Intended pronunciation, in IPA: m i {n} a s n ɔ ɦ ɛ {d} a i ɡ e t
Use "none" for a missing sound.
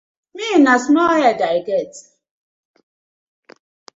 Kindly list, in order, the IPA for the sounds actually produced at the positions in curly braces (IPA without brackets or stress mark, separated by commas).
n, d